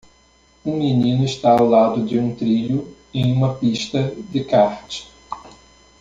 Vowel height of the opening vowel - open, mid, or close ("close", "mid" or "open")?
close